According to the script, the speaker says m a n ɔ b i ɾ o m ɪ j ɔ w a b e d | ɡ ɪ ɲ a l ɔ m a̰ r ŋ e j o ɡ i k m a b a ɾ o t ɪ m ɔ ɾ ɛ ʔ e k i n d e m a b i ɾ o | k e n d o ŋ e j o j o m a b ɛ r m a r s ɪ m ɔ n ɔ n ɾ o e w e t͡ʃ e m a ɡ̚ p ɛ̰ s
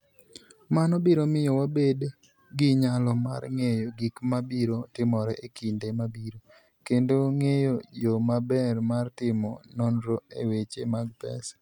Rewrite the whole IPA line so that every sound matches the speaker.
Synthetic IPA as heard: m a n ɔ b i ɾ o m ɪ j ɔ w a b e d | ɡ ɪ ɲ a l ɔ m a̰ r ŋ e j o ɡ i k m a b i ɾ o t ɪ m ɔ ɾ ɛ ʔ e k i n d e m a b i ɾ o | k e n d o ŋ e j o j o m a b ɛ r m a r t ɪ m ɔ n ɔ n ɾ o e w e t͡ʃ e m a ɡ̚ p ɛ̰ s